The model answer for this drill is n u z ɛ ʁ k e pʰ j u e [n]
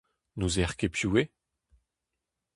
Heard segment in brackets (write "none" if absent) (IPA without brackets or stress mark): none